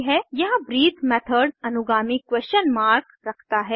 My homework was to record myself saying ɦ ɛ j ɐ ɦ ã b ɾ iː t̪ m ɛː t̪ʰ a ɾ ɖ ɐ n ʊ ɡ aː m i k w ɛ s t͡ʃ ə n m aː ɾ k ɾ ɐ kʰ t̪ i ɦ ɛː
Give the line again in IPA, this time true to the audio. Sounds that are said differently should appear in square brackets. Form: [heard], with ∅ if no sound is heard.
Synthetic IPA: ɦ ɛ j ɐ ɦ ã b ɾ iː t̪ m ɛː t̪ʰ [ə] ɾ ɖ ɐ n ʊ ɡ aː m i k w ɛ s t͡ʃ ə n m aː ɾ k ɾ ɐ kʰ t̪ [a] ɦ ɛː